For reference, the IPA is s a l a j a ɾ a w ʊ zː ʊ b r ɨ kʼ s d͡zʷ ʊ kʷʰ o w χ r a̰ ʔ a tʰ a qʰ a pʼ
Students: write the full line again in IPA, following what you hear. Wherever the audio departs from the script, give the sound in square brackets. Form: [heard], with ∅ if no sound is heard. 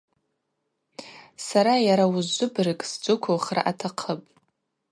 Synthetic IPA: s a [ɾ] a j a ɾ a w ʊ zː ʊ b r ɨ kʼ s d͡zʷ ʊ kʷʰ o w χ r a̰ ʔ a tʰ a qʰ [ə] pʼ